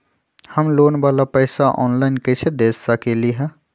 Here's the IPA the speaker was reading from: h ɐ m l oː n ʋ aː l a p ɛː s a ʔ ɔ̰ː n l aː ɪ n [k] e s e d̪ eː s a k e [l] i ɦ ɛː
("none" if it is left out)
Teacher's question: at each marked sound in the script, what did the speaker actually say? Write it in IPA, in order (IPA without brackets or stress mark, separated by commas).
k, l